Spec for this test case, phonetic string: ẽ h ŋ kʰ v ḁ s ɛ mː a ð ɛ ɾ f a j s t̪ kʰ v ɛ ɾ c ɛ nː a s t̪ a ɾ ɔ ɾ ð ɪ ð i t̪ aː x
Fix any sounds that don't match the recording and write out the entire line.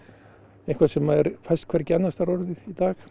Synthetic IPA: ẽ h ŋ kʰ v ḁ s ɛ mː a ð ɛ ɾ f a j s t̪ kʰ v ɛ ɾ c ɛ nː a s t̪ a ɾ ɔ ɾ ð ɪ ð i t̪ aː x